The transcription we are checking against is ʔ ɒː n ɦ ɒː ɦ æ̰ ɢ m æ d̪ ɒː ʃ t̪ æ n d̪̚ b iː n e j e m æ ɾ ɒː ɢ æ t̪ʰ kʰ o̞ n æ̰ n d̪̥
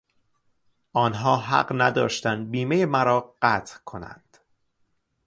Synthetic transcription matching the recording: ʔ ɒː n ɦ ɒː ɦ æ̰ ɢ n æ d̪ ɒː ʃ t̪ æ n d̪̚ b iː m e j e m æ ɾ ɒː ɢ æ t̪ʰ kʰ o̞ n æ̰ n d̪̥